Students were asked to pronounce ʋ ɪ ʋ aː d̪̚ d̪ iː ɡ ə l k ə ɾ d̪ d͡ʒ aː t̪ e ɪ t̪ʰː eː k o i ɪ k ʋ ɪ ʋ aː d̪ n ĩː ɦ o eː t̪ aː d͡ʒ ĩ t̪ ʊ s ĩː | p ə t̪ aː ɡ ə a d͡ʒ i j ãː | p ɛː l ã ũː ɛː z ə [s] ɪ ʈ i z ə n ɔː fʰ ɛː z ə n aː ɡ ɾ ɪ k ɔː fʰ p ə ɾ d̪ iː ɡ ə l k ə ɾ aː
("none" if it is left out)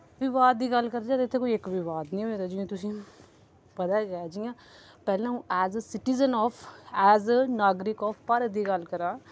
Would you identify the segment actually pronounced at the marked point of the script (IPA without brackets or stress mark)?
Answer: s